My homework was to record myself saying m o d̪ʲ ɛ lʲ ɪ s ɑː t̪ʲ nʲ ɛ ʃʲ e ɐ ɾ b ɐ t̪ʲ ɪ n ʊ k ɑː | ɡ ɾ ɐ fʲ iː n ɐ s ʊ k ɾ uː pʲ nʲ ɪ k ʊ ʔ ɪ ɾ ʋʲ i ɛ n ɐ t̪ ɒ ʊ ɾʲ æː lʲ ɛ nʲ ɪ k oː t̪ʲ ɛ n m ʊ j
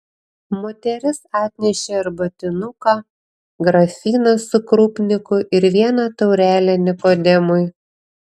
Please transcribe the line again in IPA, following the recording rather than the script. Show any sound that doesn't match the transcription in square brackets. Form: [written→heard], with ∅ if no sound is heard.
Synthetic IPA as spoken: m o [d̪ʲ→t̪ʲ] ɛ [lʲ→ɾʲ] ɪ s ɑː t̪ʲ nʲ ɛ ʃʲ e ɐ ɾ b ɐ t̪ʲ ɪ n ʊ k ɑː | ɡ ɾ ɐ fʲ iː n ɐ s ʊ k ɾ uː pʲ nʲ ɪ k ʊ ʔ ɪ ɾ ʋʲ i ɛ n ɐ t̪ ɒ ʊ ɾʲ æː lʲ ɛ nʲ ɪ k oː [t̪ʲ→d̪ʲ] ɛ [n→∅] m ʊ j